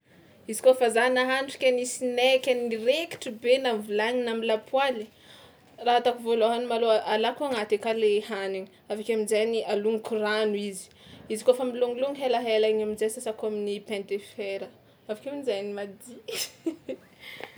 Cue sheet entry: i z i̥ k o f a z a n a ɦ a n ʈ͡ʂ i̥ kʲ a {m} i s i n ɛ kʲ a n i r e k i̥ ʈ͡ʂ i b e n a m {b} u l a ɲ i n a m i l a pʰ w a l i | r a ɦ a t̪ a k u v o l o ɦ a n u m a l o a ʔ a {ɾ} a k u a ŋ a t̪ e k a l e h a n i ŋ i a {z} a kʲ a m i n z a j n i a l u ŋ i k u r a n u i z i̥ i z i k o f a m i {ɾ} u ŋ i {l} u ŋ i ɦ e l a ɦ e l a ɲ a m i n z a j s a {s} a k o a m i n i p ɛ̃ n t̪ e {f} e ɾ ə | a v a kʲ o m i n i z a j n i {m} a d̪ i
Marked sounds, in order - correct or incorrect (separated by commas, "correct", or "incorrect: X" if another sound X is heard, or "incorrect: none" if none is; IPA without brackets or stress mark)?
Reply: incorrect: n, incorrect: v, incorrect: l, incorrect: v, incorrect: l, correct, correct, correct, correct